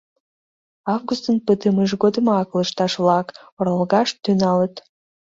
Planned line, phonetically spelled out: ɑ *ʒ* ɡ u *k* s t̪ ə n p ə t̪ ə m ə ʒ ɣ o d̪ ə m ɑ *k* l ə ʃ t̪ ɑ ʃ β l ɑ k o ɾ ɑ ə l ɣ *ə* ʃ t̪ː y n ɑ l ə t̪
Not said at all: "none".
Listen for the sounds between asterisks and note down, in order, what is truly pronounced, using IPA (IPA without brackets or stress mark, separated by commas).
v, none, k, ɑ